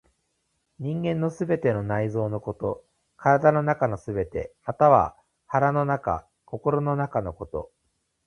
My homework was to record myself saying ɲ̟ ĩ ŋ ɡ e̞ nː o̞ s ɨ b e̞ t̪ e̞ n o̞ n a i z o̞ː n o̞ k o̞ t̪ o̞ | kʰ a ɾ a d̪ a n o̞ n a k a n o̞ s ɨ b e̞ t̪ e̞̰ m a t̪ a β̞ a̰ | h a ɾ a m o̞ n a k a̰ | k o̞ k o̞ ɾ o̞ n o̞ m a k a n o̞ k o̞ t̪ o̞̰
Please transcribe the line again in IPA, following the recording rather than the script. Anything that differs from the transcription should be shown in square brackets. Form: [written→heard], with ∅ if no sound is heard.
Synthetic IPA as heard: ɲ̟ ĩ ŋ ɡ [e̞→ẽ̞] nː o̞ s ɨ b e̞ t̪ e̞ n o̞ n a i z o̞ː n o̞ k o̞ t̪ o̞ | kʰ a ɾ a d̪ a n o̞ n a k a n o̞ s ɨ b e̞ t̪ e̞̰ m a t̪ a β̞ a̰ | h a ɾ a [m→n] o̞ n a k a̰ | k o̞ k o̞ ɾ o̞ n o̞ [m→n] a k a n o̞ k o̞ t̪ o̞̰